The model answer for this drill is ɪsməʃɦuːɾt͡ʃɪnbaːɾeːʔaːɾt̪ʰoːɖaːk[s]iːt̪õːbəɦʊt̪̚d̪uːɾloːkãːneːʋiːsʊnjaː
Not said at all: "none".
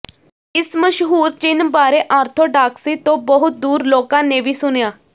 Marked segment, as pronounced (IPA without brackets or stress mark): s